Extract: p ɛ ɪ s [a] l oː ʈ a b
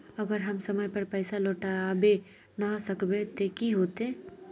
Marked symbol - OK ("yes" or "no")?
yes